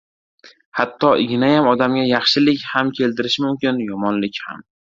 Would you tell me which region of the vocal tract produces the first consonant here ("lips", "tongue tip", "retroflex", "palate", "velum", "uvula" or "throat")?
throat